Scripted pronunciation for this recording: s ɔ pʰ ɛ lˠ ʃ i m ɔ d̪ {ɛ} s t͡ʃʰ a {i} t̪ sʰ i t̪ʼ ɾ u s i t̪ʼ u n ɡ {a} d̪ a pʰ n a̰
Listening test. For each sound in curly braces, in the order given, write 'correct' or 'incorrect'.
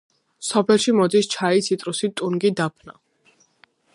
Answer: incorrect, correct, incorrect

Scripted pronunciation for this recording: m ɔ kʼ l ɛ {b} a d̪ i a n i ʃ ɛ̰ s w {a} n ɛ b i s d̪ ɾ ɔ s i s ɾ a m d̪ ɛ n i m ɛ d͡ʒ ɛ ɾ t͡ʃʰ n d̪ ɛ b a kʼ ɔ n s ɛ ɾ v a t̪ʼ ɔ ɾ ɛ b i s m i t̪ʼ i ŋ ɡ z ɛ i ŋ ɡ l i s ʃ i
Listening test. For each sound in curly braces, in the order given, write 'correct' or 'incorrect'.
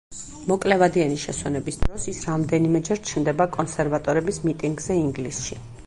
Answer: incorrect, incorrect

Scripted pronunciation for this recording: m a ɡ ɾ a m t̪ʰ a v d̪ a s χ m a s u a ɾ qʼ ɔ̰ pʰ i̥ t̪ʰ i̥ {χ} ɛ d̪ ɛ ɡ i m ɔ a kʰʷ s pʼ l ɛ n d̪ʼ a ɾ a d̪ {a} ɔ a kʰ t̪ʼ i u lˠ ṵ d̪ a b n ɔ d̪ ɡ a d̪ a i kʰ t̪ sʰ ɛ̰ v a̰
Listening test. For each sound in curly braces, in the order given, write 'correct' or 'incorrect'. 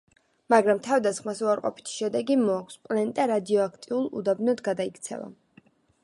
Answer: incorrect, incorrect

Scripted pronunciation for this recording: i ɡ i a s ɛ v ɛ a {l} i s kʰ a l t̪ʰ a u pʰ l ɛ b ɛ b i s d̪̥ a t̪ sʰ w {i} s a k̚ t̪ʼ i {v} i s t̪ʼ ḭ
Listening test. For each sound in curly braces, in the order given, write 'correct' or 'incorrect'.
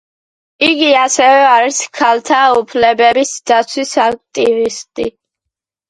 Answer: incorrect, correct, correct

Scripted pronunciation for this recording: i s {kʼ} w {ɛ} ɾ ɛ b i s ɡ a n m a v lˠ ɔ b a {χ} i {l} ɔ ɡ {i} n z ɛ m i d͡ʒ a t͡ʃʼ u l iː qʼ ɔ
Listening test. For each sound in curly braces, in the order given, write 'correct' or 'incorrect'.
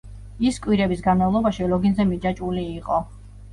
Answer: correct, incorrect, incorrect, correct, correct

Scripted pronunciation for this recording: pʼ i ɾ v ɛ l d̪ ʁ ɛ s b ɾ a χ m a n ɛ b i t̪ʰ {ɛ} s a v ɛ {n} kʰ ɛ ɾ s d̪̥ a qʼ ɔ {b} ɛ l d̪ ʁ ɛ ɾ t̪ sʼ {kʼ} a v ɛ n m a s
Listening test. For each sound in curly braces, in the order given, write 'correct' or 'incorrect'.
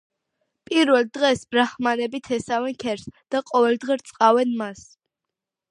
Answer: correct, correct, incorrect, incorrect

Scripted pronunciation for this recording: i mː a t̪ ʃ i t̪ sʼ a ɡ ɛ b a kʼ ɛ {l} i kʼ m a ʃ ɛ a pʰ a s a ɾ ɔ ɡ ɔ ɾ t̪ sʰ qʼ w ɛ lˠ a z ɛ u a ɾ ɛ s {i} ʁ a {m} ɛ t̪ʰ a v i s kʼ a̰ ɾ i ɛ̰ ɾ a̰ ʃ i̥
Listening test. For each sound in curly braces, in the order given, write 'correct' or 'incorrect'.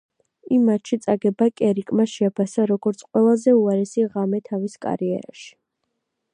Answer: incorrect, correct, correct

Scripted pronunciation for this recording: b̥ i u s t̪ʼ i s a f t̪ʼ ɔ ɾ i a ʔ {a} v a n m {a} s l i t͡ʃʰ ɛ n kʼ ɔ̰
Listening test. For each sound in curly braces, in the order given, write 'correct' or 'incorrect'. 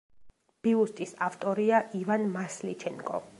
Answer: incorrect, correct

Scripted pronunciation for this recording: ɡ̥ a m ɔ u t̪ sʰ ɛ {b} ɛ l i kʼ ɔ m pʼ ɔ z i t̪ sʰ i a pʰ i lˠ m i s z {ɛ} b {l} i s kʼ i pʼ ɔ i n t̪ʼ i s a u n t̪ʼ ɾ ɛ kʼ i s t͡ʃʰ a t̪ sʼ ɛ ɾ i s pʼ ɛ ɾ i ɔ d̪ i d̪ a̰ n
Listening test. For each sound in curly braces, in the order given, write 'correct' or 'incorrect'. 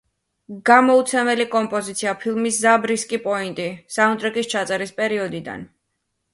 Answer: incorrect, incorrect, incorrect

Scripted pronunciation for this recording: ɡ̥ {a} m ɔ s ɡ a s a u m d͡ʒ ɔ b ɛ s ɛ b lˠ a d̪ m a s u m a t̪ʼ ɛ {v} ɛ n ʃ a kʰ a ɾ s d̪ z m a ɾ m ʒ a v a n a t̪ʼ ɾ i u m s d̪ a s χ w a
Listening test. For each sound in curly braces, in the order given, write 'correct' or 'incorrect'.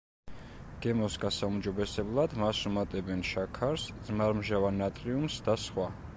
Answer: incorrect, incorrect

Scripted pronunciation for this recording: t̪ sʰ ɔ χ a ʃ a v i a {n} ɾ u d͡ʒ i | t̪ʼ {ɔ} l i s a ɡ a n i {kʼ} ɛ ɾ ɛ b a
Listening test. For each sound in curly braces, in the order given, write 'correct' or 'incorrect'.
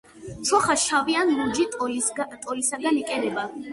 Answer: correct, correct, correct

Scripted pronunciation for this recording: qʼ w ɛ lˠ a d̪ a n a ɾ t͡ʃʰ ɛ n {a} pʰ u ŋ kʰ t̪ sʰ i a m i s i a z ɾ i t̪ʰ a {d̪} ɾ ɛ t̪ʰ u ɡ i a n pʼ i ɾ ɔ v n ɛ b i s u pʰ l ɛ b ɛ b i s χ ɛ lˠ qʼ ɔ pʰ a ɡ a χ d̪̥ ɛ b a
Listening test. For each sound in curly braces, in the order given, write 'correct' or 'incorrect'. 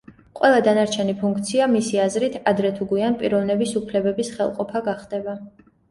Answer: incorrect, correct

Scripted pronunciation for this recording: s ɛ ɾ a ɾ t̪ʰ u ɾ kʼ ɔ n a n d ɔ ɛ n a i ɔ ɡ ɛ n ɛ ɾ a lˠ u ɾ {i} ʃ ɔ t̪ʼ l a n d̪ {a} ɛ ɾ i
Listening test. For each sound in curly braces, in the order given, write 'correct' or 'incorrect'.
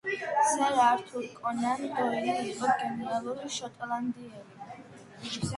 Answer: correct, incorrect

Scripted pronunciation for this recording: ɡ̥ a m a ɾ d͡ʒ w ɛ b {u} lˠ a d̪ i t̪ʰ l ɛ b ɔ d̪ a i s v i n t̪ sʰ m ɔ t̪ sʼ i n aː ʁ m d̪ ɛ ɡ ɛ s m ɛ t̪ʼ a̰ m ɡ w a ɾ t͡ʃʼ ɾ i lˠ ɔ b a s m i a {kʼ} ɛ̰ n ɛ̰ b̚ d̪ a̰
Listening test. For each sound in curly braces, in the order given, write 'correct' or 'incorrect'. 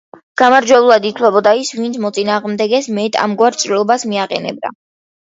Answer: correct, incorrect

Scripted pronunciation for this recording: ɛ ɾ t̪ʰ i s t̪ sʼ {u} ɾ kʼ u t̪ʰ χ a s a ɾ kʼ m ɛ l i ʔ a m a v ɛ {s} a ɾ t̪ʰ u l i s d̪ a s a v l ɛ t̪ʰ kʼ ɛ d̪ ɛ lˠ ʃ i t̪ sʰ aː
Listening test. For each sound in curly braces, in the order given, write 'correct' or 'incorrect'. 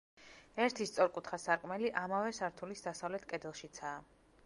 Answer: incorrect, correct

